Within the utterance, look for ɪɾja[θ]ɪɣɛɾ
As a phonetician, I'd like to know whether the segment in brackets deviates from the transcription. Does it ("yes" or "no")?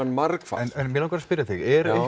no